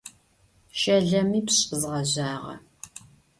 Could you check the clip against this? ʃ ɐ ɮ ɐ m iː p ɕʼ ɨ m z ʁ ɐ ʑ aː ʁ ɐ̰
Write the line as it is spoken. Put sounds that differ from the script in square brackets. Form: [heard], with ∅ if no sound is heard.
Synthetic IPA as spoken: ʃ ɐ ɮ ɐ m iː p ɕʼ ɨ [∅] z ʁ ɐ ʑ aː ʁ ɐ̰